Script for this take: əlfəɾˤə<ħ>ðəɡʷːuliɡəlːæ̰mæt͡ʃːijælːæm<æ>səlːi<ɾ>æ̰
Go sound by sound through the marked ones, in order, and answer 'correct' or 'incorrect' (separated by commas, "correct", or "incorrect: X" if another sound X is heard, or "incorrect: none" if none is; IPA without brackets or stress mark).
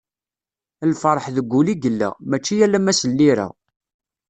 correct, correct, correct